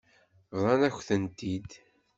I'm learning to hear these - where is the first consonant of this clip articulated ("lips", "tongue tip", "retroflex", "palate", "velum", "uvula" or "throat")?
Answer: lips